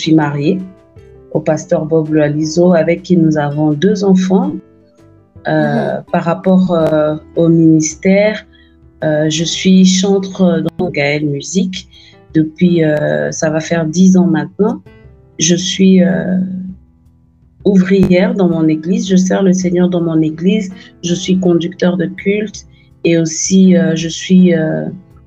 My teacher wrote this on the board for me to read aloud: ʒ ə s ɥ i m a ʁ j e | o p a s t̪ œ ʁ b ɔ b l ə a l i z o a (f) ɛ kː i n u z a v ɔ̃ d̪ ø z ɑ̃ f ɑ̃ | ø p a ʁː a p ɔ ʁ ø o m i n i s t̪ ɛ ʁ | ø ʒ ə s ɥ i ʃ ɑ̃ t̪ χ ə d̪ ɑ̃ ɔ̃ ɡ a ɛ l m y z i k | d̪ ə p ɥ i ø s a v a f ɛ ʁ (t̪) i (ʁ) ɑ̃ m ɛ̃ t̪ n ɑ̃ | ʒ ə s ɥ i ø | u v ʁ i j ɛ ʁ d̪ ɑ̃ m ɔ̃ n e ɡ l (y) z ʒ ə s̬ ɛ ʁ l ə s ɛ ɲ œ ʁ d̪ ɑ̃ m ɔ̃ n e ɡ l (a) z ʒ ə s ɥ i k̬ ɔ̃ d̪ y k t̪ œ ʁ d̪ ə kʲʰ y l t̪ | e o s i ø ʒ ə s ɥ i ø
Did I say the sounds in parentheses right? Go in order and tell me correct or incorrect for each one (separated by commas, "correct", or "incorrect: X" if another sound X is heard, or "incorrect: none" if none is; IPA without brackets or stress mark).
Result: incorrect: v, incorrect: d̪, incorrect: z, incorrect: i, incorrect: i